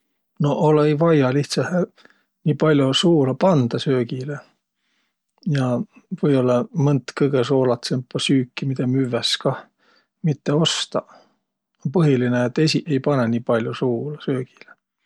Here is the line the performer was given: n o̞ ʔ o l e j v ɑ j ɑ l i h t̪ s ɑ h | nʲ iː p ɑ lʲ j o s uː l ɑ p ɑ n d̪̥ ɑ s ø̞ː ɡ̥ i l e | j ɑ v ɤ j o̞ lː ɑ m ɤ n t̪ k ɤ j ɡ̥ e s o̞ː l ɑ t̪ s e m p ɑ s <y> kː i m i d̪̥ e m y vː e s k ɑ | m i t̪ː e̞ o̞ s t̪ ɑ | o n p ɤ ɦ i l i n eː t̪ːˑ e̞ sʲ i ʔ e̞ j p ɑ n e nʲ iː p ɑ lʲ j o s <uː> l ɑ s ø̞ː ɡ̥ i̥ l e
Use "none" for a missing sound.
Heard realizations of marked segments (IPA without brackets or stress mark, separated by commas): yː, uː